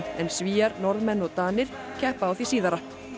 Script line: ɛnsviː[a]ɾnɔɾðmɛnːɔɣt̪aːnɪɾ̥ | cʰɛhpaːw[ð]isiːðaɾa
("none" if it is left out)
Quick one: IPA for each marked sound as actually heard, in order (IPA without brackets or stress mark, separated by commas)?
a, θ